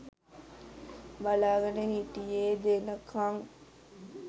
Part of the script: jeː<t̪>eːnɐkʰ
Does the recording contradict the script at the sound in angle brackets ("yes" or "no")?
yes